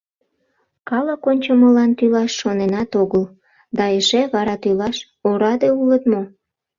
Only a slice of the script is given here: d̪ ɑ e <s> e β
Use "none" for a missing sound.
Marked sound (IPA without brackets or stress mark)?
ʃ